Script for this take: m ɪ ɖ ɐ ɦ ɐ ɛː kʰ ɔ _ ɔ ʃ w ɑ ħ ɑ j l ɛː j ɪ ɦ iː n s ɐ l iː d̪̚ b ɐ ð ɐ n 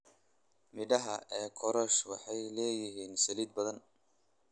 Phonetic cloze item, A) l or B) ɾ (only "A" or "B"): B